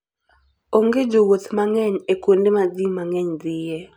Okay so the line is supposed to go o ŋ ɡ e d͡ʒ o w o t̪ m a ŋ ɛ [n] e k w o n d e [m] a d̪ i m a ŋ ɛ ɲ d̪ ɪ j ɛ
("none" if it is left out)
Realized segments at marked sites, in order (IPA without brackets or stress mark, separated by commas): ɲ, m